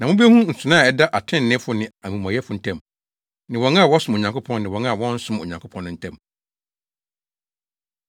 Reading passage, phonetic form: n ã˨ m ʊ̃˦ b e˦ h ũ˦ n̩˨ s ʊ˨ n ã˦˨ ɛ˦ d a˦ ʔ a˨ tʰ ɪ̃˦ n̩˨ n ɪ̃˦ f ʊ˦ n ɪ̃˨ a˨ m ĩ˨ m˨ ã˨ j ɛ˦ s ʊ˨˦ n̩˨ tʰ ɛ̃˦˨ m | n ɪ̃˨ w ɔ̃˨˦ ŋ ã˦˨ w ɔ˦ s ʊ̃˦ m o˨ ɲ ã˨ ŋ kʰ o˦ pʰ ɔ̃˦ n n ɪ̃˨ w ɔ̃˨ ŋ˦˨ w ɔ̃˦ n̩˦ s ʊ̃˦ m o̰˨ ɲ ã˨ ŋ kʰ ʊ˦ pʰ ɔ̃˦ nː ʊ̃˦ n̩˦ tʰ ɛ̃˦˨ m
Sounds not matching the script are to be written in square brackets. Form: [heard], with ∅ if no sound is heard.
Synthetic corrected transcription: n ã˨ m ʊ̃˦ b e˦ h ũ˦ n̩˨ s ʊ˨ n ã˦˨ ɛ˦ d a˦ ʔ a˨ tʰ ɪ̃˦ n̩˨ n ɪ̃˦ f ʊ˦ n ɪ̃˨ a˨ m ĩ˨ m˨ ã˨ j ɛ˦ [f] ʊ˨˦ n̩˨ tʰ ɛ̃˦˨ m | n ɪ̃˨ w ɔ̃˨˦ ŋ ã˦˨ w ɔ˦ s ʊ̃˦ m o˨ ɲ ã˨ ŋ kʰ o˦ pʰ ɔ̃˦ n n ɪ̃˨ w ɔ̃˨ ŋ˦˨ w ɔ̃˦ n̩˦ s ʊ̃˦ m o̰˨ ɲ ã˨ ŋ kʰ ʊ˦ pʰ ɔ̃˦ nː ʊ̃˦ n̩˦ tʰ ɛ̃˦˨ m